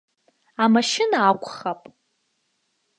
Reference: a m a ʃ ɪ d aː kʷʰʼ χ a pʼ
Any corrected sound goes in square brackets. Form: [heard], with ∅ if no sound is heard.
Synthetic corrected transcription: a m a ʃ ɪ [n] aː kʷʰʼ χ a pʼ